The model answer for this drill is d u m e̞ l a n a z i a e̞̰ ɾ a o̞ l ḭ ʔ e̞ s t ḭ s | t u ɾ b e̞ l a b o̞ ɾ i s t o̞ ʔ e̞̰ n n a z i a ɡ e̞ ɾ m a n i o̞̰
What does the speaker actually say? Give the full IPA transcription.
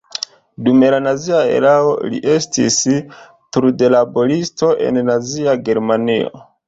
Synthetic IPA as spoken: d u m e̞ l a n a z i a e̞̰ ɾ a o̞ l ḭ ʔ e̞ s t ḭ s | t u ɾ d e̞ l a b o̞ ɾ i s t o̞ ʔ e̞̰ n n a z i a ɡ e̞ ɾ m a n i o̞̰